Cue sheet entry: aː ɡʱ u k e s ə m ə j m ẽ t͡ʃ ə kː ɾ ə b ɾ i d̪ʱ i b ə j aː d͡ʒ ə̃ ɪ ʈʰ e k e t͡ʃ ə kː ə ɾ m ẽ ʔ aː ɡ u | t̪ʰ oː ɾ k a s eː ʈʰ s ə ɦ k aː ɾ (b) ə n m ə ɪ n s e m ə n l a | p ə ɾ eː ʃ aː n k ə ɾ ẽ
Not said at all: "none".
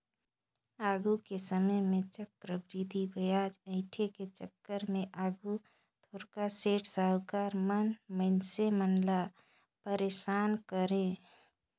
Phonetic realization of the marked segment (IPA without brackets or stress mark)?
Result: m